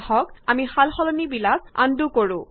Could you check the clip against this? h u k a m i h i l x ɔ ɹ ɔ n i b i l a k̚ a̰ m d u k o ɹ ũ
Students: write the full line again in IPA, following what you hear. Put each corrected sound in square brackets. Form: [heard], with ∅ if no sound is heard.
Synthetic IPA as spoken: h [ɔ] k a m i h [a] l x ɔ [l] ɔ n i b i l a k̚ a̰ [n] d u k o ɹ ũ